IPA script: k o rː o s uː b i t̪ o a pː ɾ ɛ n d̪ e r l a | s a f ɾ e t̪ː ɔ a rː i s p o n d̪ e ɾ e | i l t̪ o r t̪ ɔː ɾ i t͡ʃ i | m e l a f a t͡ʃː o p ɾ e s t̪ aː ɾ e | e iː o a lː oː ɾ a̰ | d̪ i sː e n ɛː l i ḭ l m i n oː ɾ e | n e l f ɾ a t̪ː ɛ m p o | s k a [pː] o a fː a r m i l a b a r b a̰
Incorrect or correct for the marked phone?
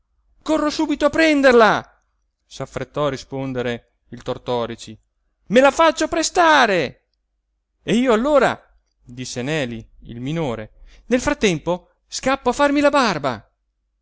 correct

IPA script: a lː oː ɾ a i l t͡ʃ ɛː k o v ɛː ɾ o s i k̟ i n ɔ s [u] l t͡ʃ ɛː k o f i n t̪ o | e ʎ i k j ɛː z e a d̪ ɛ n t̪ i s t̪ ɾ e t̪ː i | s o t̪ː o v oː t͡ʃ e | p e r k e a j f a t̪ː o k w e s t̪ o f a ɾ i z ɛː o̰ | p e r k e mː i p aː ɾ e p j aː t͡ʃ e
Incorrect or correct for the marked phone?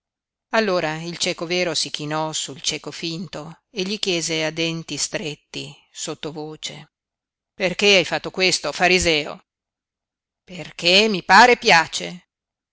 correct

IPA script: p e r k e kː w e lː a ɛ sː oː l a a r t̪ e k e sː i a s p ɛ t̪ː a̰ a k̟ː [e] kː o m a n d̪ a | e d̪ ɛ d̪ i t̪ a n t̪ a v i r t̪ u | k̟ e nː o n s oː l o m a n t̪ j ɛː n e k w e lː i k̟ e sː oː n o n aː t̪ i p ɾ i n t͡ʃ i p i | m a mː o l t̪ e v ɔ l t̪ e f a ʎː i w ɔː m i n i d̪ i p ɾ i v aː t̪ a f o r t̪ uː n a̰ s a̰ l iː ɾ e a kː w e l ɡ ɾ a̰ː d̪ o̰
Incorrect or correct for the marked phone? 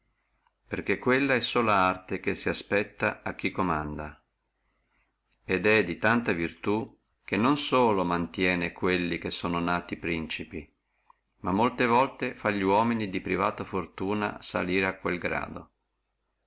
incorrect: i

